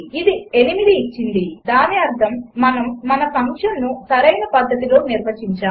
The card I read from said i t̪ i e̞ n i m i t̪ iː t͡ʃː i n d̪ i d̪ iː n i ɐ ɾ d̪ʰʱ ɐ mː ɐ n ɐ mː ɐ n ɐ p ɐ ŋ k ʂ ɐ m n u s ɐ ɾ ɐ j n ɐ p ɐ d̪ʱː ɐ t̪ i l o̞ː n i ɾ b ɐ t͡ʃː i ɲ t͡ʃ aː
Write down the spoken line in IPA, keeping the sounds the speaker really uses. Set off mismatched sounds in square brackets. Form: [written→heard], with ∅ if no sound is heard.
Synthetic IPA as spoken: i [t̪→d̪] i e̞ n i m i [t̪→d̪] iː t͡ʃː i n d̪ i d̪ [iː→aː] n i ɐ ɾ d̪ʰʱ ɐ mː ɐ n ɐ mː ɐ n ɐ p ɐ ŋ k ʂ ɐ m n u s ɐ ɾ ɐ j n ɐ p ɐ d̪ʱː ɐ t̪ i l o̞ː n i ɾ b ɐ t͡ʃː i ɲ t͡ʃ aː